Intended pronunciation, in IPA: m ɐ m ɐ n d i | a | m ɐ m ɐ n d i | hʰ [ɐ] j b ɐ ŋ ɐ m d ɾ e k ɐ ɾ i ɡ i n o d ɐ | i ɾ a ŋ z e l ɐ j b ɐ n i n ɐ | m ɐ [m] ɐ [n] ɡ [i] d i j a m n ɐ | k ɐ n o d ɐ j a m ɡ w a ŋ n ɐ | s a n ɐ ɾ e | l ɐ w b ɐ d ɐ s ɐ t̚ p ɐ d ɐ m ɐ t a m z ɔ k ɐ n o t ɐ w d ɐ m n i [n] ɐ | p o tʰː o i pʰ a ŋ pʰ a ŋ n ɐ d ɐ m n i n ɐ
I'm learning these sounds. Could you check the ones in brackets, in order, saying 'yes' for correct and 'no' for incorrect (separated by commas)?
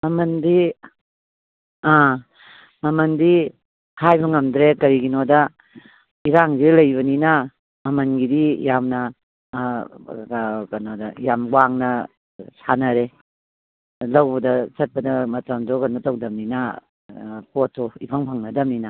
no, yes, yes, yes, yes